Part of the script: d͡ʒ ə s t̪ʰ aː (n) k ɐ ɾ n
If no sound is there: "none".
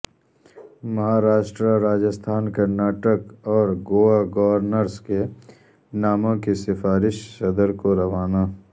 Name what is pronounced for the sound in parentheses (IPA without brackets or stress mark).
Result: n